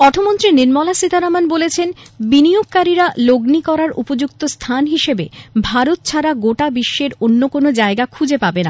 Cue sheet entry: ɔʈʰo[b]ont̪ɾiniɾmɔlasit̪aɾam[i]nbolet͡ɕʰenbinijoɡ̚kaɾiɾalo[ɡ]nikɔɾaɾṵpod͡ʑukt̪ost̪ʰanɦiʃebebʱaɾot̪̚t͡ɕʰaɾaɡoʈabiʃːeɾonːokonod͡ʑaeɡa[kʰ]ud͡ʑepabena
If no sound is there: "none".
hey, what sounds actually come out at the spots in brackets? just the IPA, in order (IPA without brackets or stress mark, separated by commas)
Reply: m, a, ɡ, kʰ